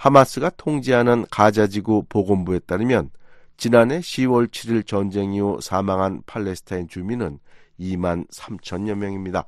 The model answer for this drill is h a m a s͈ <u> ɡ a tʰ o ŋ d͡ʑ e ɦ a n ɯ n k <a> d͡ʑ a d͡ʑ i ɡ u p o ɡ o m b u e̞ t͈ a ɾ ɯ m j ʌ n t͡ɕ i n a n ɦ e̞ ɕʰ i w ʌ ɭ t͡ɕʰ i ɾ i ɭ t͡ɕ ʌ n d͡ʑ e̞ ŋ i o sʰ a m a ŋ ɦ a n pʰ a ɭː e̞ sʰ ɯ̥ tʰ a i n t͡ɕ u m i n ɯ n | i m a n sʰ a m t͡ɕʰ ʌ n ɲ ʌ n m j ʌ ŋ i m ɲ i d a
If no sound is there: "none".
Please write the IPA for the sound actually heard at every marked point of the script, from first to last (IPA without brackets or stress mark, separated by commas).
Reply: ɯ, a